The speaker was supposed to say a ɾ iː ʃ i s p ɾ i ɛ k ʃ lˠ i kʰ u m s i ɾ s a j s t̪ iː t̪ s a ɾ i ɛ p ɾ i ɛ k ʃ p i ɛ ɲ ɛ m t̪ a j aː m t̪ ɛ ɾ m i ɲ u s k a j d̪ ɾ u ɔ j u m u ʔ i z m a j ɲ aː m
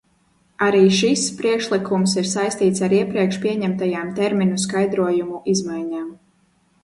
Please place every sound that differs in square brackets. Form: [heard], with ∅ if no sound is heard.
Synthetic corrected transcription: a ɾ iː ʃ i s p ɾ i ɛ k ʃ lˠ i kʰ u m s i ɾ s a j s t̪ iː t̪ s a ɾ i ɛ p ɾ i ɛ k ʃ p i ɛ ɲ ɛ m t̪ a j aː m t̪ ɛ ɾ m i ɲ u s k a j d̪ ɾ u ɔ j u m u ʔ i z m a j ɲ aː m